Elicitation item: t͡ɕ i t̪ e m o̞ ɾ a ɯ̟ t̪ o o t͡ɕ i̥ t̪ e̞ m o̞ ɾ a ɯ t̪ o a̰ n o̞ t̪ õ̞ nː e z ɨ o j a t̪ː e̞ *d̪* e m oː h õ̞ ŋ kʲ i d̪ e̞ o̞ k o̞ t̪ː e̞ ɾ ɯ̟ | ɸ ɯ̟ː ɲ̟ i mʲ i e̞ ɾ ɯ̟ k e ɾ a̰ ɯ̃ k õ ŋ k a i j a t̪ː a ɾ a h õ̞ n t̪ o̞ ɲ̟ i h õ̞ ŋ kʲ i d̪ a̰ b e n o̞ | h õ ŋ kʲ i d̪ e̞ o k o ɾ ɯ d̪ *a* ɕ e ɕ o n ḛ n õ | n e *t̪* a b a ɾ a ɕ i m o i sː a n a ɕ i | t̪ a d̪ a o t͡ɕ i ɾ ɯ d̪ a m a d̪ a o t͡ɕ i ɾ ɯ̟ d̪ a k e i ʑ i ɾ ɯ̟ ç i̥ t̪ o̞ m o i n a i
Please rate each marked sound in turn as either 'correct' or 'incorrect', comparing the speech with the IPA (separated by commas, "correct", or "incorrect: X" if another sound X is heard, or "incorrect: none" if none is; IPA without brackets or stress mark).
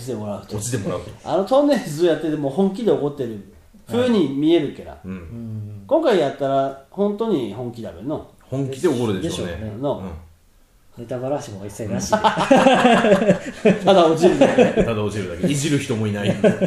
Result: incorrect: t̪, incorrect: e, correct